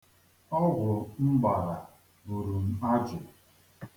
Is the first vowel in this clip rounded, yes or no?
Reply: yes